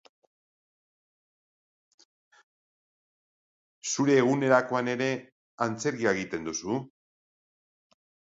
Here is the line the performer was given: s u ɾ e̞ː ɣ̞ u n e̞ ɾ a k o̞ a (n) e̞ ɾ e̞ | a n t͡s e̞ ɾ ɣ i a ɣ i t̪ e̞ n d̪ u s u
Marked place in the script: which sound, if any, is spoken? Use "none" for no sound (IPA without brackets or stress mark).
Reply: n